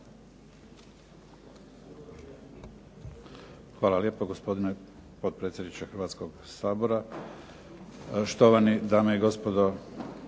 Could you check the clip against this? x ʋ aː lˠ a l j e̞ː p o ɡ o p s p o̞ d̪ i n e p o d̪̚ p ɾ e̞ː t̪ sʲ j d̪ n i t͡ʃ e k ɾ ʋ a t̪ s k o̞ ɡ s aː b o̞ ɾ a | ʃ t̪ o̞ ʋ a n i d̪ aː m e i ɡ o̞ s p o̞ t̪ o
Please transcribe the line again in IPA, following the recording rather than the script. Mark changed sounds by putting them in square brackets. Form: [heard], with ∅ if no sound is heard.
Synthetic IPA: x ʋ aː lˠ a l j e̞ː p o ɡ o [∅] s p o̞ d̪ i n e p o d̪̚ p ɾ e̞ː t̪ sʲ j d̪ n i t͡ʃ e [x] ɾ ʋ a t̪ s k o̞ ɡ s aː b o̞ ɾ a | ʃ t̪ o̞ ʋ a n i d̪ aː m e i ɡ o̞ s p o̞ [d̪] o